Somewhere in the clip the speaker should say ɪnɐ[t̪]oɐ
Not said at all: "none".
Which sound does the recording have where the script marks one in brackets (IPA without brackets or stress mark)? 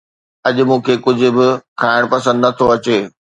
t̪ʰ